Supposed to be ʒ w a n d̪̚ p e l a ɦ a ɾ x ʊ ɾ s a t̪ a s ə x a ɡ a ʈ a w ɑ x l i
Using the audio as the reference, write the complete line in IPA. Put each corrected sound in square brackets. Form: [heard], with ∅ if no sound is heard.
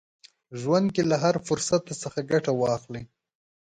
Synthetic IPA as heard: ʒ w a n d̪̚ [k] e l a ɦ a ɾ [f] ʊ ɾ s a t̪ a s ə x a ɡ a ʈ a w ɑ x l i

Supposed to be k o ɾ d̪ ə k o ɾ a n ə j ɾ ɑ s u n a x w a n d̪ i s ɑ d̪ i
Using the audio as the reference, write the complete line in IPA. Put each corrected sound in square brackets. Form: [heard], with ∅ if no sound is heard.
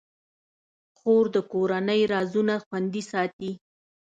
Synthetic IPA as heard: [x] o ɾ d̪ ə k o ɾ a n ə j ɾ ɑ [z] u n a x w a n d̪ i s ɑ [t̪] i

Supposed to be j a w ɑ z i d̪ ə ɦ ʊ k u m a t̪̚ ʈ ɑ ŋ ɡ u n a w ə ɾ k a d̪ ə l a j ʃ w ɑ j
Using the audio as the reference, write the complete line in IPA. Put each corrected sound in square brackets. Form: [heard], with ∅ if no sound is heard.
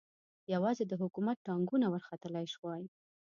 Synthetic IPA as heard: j a w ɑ z [e] d̪ ə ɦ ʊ k u m a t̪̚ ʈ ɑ ŋ ɡ u n a w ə ɾ [x] a [t̪] ə l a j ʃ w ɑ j

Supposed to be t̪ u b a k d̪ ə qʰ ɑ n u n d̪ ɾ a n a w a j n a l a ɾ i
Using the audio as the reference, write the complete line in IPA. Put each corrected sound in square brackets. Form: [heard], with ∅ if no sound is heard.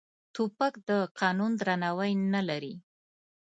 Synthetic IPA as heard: t̪ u [p] a k d̪ ə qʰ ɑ n u n d̪ ɾ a n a w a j n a l a ɾ i

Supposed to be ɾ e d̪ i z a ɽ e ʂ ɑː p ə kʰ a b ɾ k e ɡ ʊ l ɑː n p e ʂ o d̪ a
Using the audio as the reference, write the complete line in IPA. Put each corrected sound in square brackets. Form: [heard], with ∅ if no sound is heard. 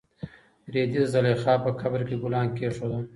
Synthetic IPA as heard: ɾ e d̪ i z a [l] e [x] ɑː p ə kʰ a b ɾ k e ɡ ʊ l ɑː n [k] e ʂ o d̪ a

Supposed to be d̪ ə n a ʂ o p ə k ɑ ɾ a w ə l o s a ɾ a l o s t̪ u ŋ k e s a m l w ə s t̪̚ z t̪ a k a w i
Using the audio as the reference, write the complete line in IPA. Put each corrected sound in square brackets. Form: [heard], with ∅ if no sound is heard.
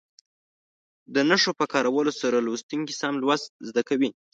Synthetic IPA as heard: d̪ ə n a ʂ o p ə k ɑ ɾ a w ə l o s a ɾ a l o s t̪ u ŋ k [i] s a m l w [a] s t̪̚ z [d̪] a k a w i

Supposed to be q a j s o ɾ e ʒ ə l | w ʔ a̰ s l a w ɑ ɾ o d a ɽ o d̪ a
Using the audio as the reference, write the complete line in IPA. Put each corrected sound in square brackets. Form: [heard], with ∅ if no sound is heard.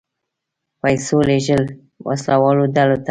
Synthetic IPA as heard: [p] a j s o [l] e ʒ ə l | w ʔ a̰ s l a w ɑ [l] o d a [l] o [t̪] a

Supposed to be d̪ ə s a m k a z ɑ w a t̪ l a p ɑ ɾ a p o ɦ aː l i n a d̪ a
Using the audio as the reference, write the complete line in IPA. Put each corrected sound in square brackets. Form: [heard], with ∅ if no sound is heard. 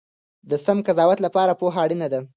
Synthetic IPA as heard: d̪ ə s a m k a z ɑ w a t̪ l a p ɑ ɾ a p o ɦ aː [ɽ] i n a d̪ a

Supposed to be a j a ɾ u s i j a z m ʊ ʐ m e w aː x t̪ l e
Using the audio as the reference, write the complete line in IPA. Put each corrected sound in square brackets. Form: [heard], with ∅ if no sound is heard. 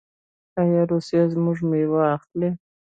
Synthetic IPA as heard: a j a ɾ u s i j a z m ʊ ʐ m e w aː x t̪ l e

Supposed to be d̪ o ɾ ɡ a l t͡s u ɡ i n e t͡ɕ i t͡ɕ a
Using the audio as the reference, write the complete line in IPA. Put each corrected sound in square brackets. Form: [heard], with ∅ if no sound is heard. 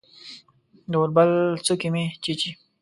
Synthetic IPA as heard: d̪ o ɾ [b] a l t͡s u [k] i [m] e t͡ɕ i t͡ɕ [i]

